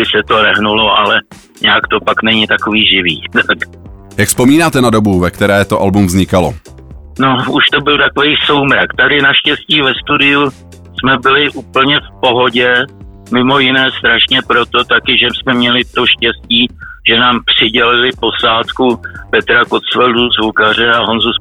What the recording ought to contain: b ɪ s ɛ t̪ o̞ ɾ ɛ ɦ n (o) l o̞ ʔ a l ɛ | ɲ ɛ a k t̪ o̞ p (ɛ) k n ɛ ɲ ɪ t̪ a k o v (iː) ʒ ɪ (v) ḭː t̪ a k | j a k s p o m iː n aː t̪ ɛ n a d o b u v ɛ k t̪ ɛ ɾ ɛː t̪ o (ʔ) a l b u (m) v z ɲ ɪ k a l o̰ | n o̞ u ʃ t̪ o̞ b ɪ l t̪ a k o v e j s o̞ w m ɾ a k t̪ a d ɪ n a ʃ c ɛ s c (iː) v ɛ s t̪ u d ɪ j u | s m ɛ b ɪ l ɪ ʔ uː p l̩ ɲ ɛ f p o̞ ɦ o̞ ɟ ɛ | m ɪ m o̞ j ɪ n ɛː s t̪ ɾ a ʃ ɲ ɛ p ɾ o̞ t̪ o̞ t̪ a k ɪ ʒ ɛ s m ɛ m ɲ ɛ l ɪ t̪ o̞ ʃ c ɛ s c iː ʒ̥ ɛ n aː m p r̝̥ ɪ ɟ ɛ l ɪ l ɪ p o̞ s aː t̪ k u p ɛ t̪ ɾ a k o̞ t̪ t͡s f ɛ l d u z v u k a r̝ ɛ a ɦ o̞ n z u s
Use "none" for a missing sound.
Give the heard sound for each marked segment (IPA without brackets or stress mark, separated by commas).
u, a, iː, v, ʔ, m, iː